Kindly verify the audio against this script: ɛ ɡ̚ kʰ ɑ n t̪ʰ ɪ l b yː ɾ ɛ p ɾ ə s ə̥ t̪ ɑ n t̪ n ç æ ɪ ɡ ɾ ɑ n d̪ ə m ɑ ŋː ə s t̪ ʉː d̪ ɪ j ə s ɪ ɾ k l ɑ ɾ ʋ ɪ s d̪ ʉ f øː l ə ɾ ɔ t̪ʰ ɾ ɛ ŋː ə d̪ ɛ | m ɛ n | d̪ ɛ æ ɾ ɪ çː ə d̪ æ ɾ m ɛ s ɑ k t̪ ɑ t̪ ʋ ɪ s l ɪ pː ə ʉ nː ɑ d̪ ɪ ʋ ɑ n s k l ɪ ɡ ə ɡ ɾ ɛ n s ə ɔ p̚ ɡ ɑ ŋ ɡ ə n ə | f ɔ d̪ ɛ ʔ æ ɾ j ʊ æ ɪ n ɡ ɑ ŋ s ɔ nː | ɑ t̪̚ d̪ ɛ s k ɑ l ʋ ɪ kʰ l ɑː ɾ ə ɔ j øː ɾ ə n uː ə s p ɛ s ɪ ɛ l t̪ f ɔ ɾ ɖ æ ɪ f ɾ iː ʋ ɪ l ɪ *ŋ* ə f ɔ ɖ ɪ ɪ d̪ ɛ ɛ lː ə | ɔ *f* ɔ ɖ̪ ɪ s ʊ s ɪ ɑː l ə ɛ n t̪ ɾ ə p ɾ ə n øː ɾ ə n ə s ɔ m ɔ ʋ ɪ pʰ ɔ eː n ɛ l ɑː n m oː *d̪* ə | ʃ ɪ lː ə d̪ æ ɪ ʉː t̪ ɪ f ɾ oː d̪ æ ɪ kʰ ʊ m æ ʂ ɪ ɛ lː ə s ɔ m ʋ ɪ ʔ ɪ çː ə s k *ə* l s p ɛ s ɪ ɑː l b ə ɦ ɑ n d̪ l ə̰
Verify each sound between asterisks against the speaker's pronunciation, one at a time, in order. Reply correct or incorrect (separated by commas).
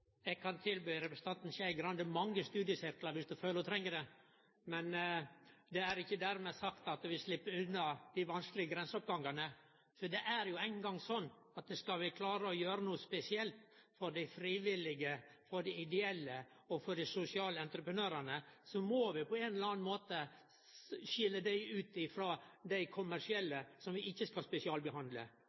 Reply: incorrect, correct, incorrect, incorrect